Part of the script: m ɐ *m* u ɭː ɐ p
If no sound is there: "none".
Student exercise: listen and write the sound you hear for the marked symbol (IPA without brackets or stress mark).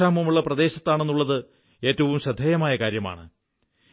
m